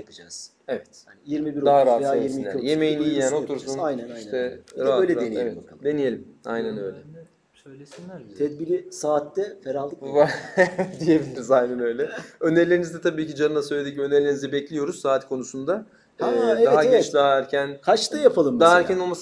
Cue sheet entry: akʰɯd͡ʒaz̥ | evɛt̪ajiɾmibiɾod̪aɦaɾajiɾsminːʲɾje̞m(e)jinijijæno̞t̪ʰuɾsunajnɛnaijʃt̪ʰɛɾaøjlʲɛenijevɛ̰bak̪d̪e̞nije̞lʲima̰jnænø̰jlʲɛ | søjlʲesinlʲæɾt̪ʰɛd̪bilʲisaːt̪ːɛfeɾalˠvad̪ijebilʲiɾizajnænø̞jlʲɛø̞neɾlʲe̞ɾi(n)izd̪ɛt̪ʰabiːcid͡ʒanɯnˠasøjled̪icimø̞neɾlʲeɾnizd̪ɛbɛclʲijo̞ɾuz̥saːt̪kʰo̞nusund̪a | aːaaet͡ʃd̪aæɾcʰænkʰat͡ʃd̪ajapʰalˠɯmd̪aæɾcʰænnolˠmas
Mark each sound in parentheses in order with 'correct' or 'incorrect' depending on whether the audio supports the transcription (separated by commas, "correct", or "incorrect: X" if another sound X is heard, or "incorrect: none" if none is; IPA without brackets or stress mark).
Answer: correct, correct